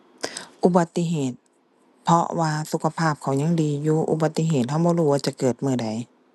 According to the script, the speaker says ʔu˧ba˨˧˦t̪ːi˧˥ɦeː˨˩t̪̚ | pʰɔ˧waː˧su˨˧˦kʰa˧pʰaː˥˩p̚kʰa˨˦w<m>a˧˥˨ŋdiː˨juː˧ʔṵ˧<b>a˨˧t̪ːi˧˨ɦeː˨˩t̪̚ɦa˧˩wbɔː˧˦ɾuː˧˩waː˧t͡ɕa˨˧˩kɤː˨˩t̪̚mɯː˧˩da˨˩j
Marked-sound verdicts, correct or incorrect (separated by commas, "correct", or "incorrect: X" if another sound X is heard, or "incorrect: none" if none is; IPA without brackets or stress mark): incorrect: ɲ, correct